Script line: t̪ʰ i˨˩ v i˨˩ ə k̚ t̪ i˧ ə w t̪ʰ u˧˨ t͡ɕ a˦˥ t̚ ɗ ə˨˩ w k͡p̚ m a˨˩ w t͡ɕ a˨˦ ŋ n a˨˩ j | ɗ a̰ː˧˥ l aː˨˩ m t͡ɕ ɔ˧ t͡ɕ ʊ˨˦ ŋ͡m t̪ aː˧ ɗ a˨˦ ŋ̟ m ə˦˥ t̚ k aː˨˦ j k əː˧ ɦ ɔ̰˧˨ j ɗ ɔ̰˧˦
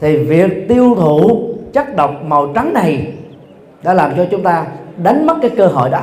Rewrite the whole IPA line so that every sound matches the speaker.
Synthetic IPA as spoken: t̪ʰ i˨˩ v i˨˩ ə k̚ t̪ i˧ ə w t̪ʰ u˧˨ t͡ɕ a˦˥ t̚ ɗ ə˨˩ w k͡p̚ m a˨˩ w t͡ɕ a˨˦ ŋ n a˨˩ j | ɗ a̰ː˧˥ l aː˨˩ m t͡ɕ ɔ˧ t͡ɕ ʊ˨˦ ŋ͡m t̪ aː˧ ɗ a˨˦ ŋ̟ m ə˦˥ t̚ k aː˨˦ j k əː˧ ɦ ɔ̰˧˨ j ɗ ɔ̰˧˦